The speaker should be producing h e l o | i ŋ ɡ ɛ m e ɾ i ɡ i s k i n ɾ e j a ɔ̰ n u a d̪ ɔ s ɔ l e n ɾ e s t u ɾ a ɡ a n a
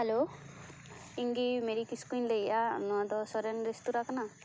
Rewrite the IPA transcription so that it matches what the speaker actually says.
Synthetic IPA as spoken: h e l o | i ŋ ɡ i m e ɾ i k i s k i n l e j a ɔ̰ n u a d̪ ɔ s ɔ ɾ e n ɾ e s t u ɾ a k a n a